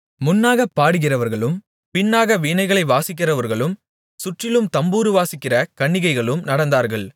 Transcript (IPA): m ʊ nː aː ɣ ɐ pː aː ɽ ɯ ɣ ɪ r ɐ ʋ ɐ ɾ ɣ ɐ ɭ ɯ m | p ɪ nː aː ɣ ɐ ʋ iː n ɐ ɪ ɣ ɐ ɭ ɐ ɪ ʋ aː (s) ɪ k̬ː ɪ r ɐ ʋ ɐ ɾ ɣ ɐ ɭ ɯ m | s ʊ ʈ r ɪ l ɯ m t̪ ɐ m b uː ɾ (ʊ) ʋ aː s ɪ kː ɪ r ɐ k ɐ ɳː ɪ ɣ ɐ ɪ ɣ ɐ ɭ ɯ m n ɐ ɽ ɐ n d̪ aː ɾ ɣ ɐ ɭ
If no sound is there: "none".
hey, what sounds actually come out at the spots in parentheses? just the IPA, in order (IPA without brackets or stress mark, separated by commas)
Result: s, ɯ